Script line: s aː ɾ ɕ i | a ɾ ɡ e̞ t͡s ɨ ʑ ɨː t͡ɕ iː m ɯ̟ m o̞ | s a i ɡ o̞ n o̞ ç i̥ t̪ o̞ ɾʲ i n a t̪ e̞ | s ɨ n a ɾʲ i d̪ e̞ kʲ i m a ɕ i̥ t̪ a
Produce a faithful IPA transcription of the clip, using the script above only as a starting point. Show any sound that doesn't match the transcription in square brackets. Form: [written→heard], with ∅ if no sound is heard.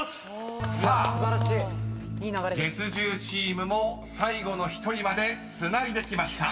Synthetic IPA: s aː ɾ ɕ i | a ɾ ɡ e̞ t͡s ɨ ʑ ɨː t͡ɕ iː m ɯ̟ m o̞ | s a i ɡ o̞ n o̞ ç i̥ t̪ o̞ ɾʲ i [n→m] a [t̪→d̪] e̞ | s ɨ n a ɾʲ i d̪ e̞ kʲ i m a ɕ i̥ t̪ a